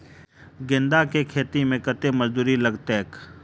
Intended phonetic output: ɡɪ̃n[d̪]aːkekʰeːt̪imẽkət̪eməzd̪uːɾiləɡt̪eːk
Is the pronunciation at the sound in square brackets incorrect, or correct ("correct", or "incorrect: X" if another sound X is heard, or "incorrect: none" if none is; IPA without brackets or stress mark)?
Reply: correct